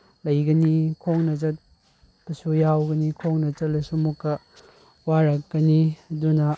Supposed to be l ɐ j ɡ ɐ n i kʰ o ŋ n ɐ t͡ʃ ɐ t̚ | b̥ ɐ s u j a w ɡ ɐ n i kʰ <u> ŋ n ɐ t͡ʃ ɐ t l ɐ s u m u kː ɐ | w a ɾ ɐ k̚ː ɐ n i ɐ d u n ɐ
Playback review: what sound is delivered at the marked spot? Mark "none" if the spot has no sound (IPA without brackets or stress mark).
o